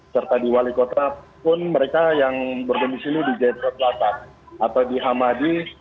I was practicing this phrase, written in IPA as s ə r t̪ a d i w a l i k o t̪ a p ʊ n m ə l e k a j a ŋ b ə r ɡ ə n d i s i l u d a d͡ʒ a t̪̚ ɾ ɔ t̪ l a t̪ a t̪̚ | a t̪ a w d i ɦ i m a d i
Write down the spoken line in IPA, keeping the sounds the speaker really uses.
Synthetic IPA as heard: s ə r t̪ a d i w a l i k o t̪ a p ʊ n m ə ɾ e k a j a ŋ b ə r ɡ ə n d i s i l u d i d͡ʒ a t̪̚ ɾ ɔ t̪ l a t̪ a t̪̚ | a t̪ a w d i ɦ a m a d i